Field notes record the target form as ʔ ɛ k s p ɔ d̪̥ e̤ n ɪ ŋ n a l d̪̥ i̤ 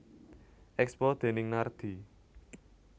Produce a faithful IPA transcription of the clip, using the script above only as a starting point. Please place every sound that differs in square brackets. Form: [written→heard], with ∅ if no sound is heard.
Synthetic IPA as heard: ʔ ɛ k s p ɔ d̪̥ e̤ n ɪ ŋ n a [l→r] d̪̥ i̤